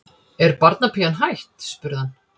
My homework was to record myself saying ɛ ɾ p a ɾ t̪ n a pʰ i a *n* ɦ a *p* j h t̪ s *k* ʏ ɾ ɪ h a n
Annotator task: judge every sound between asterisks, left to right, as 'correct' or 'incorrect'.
correct, incorrect: none, incorrect: p

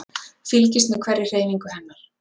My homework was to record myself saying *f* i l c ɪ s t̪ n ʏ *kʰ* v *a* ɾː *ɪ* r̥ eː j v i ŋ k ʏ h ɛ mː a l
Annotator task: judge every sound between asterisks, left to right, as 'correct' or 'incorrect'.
correct, correct, incorrect: ɛ, correct

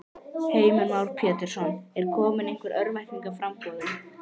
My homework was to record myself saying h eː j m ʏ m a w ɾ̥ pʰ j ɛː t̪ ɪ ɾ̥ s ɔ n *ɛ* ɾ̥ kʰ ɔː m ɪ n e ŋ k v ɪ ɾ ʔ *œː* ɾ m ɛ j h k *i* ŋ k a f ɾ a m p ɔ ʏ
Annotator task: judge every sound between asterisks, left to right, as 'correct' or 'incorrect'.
correct, incorrect: œ, correct

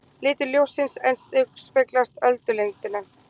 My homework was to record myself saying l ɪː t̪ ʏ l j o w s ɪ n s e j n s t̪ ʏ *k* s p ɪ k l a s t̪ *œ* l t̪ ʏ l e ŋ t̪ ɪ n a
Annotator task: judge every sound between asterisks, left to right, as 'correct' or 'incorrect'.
correct, correct

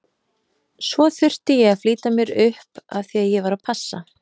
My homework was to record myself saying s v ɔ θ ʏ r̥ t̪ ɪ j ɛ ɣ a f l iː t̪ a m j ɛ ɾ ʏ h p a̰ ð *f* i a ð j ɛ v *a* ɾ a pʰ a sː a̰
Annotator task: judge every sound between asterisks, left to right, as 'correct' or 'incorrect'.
incorrect: θ, correct

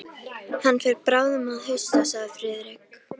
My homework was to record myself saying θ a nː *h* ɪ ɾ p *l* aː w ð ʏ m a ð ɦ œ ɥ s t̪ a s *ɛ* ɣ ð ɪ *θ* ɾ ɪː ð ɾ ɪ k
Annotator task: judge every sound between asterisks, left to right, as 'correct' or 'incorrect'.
incorrect: f, incorrect: ɾ, incorrect: a, incorrect: f

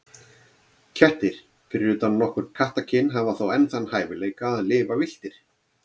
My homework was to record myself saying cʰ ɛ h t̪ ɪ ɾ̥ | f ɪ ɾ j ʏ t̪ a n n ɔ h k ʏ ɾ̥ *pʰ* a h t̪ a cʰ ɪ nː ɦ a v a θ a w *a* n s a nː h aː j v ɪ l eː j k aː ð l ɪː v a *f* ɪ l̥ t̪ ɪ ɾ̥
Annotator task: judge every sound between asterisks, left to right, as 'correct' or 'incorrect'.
incorrect: kʰ, incorrect: ɛ, incorrect: v

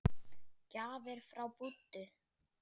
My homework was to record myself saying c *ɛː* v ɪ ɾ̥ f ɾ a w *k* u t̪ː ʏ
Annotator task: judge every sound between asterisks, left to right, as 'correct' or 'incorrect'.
incorrect: aː, incorrect: p

